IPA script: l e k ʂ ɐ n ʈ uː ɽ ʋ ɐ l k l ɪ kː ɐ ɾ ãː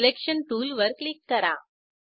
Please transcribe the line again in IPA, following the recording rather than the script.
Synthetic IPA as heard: l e k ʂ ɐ n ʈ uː l ʋ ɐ ɾ k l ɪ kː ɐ ɾ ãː